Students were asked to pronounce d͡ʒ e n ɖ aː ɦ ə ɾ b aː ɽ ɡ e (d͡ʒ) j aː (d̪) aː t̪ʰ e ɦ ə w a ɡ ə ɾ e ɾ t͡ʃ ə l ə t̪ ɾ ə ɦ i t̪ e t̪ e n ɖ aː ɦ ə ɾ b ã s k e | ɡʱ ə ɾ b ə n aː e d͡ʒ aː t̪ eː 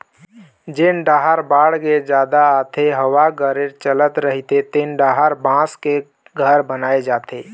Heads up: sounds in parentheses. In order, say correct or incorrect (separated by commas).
correct, correct